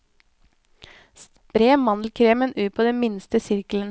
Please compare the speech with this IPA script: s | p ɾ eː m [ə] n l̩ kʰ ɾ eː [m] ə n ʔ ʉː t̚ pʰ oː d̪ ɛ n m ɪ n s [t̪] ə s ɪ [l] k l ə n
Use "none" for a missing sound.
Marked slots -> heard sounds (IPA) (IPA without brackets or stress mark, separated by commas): ɑ, m, t̪, ɾ